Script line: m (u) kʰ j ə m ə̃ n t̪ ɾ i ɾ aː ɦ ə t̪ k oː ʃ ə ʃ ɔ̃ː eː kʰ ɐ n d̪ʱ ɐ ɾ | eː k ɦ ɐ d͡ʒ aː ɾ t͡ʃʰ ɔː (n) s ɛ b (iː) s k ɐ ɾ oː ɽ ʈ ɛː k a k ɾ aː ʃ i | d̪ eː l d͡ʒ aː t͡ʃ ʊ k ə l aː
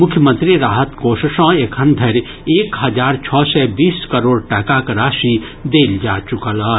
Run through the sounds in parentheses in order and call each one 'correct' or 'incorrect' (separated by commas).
incorrect, incorrect, correct